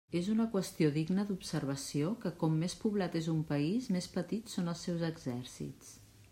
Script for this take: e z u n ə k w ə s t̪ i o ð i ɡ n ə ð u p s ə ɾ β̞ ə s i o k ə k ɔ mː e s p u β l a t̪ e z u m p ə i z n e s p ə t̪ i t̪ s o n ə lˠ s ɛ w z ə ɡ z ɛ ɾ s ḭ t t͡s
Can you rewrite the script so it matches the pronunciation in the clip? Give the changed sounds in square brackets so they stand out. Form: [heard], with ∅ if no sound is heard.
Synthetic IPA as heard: e z u n ə k w ə s t̪ i o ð i ɡ n ə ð u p s ə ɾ β̞ ə s i o k ə k ɔ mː e s p u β l a t̪ e z u m p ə i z [m] e s p ə t̪ i t̪ s o n ə lˠ s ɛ w z ə ɡ z ɛ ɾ s ḭ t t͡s